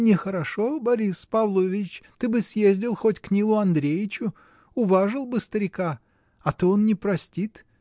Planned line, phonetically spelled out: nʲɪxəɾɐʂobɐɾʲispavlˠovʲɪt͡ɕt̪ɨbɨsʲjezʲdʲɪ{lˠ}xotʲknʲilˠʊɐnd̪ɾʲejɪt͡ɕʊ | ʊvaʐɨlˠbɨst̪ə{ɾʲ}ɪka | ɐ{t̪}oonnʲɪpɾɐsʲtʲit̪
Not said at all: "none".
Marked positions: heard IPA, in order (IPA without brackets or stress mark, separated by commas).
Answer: lˠ, ɾʲ, t̪